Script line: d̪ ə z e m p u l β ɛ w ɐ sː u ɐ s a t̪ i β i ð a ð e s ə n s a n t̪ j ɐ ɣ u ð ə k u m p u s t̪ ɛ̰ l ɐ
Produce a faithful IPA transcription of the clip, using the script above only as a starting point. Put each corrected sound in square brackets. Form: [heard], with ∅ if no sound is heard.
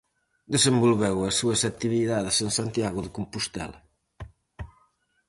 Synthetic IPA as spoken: d̪ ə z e m [b] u l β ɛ w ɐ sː u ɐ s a t̪ i β i ð a ð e s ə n s a n t̪ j [a] ɣ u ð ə k u m p u s t̪ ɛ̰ l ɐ